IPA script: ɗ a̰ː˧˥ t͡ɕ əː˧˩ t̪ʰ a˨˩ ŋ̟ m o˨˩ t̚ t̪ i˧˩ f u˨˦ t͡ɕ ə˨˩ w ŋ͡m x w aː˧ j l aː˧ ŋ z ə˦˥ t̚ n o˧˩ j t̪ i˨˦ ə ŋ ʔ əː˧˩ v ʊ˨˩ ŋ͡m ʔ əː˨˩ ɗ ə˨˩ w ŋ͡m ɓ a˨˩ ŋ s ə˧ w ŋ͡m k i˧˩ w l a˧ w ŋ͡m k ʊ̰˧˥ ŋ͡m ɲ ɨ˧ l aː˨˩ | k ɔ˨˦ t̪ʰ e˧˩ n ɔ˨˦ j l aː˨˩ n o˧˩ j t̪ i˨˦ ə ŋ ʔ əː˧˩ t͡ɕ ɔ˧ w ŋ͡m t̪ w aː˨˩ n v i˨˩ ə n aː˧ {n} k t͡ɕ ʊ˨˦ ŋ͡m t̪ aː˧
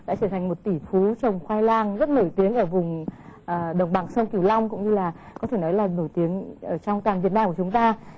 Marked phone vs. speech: incorrect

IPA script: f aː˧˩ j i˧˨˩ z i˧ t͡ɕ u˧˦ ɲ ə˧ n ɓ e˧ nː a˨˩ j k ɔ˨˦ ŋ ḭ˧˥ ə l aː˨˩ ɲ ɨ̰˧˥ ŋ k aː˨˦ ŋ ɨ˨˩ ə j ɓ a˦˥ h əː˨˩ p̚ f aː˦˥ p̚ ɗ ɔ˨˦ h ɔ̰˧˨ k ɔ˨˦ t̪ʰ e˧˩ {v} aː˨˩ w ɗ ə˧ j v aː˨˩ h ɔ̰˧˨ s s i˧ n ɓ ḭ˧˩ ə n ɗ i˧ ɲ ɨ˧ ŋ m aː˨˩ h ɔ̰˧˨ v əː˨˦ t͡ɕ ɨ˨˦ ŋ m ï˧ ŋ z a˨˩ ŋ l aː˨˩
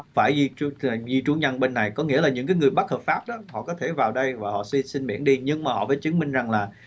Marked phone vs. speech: correct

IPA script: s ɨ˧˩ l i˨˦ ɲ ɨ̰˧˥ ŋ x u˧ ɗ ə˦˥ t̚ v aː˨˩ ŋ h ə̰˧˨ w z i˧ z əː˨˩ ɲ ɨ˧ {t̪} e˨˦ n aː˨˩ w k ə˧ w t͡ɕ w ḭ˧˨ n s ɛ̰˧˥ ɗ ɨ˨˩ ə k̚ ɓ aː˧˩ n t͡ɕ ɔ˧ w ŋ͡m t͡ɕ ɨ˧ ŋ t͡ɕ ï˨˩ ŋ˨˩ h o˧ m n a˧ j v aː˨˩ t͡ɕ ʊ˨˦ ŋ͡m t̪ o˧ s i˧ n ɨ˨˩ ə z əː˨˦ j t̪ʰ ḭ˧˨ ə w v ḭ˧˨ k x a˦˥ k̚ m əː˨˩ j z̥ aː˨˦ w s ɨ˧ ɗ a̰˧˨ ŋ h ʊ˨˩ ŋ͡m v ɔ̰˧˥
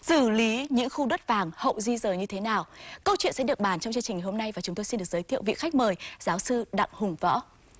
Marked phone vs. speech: incorrect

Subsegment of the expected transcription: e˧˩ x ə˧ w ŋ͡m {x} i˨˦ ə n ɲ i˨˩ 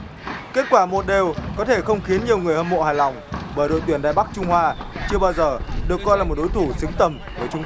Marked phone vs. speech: correct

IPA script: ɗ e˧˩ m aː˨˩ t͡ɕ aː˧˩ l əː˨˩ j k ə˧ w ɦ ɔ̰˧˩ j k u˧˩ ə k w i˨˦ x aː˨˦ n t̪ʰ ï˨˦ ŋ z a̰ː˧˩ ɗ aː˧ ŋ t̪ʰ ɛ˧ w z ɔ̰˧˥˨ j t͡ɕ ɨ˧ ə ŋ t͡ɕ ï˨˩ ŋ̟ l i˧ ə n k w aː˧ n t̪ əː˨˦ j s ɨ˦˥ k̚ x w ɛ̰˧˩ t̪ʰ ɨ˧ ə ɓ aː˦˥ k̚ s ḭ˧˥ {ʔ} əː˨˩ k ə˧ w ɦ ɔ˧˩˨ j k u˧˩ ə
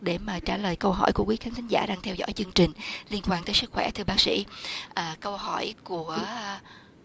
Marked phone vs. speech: correct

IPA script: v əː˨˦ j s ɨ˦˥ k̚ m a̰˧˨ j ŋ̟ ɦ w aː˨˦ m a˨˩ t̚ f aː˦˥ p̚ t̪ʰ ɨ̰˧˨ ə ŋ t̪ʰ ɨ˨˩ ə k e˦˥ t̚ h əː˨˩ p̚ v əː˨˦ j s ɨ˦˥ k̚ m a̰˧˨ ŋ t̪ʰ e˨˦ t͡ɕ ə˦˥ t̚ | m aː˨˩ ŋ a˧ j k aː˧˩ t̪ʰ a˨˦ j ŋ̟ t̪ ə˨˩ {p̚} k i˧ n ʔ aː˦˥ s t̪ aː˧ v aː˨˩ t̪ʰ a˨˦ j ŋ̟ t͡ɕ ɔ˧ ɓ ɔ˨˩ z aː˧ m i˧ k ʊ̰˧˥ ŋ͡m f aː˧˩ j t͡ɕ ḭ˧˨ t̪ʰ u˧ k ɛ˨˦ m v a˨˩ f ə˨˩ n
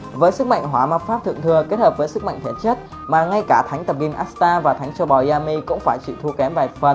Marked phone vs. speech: correct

